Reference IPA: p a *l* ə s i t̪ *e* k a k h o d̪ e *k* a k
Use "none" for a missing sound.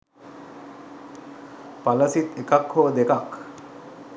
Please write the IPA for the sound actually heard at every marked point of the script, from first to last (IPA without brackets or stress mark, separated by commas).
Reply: l, e, k